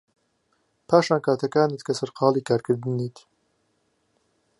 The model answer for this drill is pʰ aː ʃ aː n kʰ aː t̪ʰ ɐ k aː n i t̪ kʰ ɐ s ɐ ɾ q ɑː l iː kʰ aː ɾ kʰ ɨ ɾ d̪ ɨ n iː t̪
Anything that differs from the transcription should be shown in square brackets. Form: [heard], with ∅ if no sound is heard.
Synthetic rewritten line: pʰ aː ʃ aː n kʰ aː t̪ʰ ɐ k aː n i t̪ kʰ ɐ s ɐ ɾ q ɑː l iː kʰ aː ɾ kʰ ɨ ɾ d̪ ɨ n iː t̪